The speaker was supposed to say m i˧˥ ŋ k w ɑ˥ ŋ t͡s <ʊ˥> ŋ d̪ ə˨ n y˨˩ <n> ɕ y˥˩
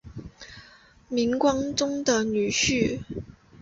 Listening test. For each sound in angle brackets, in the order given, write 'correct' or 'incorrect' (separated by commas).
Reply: correct, incorrect